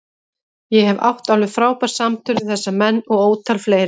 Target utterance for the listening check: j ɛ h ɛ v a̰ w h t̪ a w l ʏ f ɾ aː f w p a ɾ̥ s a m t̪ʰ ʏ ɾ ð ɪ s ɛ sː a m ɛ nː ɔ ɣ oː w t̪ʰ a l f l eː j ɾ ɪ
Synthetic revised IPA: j ɛ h ɛ v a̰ w h t̪ a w l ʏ f ɾ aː w p a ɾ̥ s a m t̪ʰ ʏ ɾ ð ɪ θ ɛ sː a m ɛ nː ɔ ɣ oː w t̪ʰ a l f l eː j ɾ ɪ